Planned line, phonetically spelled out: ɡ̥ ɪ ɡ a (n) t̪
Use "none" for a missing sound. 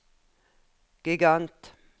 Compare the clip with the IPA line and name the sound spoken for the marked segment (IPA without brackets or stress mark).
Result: n